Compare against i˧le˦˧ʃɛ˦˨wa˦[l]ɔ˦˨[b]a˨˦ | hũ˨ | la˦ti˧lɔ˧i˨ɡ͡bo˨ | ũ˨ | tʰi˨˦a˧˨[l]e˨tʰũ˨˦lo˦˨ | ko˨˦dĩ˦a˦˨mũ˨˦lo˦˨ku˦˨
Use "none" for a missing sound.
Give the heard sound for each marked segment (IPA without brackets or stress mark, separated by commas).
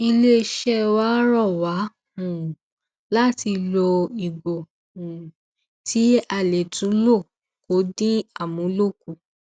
ɾ, w, l